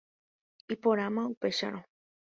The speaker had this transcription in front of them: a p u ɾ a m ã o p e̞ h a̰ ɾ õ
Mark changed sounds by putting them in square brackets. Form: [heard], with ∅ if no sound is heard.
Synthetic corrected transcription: [i] p [o] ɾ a m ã [u] p e̞ [ʃ] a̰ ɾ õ

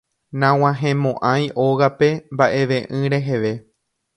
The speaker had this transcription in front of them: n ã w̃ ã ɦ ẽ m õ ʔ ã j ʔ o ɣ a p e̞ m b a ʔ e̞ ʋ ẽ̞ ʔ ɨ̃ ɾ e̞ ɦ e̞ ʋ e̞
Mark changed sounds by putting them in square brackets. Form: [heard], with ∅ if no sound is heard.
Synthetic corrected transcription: n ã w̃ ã ɦ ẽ m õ ʔ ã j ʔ o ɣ a p e̞ m b a ʔ e̞ ʋ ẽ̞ ʔ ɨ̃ ɾ e̞ ɦ e̞ ʋ e̞

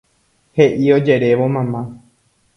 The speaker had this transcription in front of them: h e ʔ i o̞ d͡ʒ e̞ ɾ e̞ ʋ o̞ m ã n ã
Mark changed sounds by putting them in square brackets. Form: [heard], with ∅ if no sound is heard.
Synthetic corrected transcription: h e ʔ i o̞ d͡ʒ e̞ ɾ e̞ ʋ o̞ m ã [m] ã

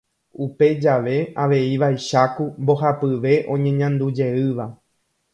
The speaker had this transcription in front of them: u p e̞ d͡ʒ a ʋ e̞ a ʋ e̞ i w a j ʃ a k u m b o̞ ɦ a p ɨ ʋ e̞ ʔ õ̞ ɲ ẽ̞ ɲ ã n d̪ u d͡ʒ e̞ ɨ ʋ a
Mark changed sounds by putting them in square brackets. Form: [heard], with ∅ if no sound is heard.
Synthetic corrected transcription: u p e̞ d͡ʒ a ʋ e̞ a ʋ e̞ i [ʋ] a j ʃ a k u m b o̞ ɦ a p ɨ ʋ e̞ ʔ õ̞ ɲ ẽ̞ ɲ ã n d̪ u d͡ʒ e̞ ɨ ʋ a

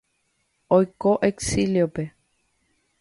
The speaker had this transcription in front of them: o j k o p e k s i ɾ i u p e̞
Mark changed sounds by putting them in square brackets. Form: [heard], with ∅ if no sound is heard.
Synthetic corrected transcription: o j k o [ʔ] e k s i [l] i [o] p e̞

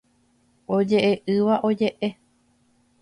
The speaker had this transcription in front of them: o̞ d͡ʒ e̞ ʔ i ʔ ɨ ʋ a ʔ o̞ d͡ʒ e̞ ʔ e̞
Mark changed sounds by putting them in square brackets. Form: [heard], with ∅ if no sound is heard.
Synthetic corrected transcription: o̞ d͡ʒ e̞ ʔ [e] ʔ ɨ ʋ a ʔ o̞ d͡ʒ e̞ ʔ e̞

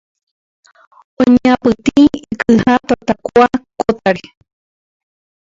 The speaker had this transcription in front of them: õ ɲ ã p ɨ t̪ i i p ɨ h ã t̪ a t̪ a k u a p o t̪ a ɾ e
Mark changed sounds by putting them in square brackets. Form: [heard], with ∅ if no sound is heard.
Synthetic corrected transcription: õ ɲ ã p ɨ t̪ i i [k] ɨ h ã t̪ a t̪ a k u a [k] o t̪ a ɾ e

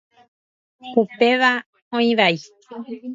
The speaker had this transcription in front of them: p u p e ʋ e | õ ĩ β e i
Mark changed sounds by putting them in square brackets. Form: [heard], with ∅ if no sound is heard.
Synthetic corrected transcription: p u p e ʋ [a] | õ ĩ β [a] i

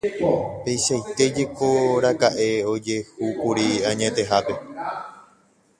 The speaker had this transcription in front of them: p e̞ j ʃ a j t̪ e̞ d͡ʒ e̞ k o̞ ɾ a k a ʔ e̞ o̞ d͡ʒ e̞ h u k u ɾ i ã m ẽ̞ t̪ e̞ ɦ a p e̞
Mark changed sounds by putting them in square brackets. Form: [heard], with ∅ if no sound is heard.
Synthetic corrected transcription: p e̞ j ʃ a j t̪ e̞ d͡ʒ e̞ k o̞ ɾ a k a ʔ e̞ o̞ d͡ʒ e̞ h u k u ɾ i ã [ɲ] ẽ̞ t̪ e̞ ɦ a p e̞

